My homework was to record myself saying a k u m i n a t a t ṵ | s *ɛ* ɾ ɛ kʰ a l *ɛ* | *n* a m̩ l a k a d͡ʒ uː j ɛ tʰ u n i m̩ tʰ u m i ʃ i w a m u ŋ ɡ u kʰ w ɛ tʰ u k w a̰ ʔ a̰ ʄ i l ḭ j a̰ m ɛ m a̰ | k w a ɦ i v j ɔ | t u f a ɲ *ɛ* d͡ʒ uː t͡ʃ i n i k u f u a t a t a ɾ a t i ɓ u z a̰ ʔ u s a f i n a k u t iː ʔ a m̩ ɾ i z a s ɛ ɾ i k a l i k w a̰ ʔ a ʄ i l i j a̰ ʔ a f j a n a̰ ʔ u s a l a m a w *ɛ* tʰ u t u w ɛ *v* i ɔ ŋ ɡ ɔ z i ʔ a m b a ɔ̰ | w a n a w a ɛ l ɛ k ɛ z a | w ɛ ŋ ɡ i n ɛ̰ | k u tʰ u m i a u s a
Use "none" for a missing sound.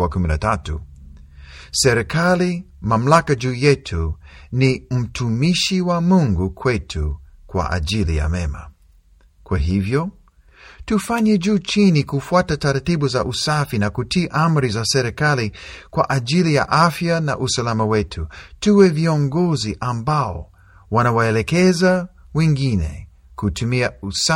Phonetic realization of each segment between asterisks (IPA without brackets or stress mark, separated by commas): ɛ, i, m, ɛ, ɛ, v